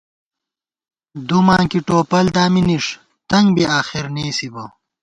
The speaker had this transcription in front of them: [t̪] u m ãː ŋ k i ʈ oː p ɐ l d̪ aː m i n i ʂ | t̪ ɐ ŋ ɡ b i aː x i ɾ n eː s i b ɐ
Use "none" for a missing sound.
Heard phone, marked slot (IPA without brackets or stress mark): d̪